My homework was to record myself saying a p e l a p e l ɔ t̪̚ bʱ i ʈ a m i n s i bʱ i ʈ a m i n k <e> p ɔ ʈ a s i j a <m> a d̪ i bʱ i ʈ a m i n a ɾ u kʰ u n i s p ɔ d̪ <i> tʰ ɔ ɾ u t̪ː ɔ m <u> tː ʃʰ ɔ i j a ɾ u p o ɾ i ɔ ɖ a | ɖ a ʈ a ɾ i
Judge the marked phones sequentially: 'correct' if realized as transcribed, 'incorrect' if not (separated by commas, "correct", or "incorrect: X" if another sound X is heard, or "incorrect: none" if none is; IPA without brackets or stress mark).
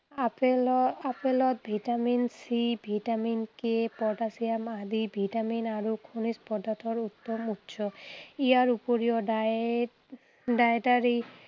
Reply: correct, correct, incorrect: a, correct